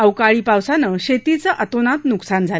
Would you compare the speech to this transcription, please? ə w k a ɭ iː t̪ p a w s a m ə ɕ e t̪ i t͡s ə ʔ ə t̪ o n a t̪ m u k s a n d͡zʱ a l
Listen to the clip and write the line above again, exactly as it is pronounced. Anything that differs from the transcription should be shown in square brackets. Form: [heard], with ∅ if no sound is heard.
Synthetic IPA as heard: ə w k a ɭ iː [∅] p a w s a [n] ə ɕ e t̪ i t͡s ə ʔ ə t̪ o n a t̪ [n] u k s a n d͡zʱ a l